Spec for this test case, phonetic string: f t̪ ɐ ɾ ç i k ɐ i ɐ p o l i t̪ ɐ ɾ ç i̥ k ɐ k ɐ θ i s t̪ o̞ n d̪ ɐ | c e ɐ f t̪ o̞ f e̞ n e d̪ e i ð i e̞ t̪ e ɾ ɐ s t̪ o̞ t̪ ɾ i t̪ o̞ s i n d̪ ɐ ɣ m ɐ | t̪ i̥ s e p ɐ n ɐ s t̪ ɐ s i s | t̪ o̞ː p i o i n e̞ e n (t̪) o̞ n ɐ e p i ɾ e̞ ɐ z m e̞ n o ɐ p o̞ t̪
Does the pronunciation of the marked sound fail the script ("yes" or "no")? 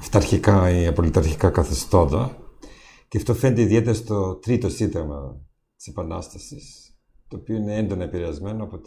yes